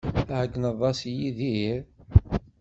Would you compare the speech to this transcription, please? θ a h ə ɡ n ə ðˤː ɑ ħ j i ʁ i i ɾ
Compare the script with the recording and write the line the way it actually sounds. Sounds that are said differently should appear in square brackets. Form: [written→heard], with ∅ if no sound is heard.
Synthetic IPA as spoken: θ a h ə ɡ n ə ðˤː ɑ [ħ→s] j i [ʁ→ð] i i ɾ